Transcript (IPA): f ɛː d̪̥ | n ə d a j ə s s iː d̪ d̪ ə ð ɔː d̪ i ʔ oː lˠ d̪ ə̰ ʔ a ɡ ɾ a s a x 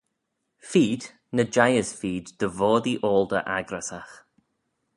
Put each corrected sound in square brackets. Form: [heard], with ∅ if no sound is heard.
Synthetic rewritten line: f [iː] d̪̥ | n ə [d͡ʒ] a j ə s [f] iː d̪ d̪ ə [v] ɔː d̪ i ʔ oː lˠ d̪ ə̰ ʔ a ɡ ɾ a s a x